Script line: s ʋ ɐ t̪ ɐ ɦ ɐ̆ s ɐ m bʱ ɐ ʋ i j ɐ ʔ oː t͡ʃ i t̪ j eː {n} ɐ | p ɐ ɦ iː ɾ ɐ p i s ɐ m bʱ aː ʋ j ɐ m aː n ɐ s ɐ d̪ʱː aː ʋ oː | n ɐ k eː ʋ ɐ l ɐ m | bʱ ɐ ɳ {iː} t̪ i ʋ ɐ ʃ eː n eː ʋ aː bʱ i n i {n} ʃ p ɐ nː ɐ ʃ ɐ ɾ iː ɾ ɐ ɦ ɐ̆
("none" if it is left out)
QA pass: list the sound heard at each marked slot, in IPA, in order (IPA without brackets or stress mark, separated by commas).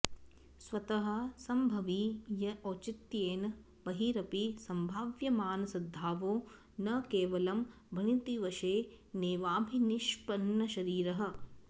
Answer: n, i, none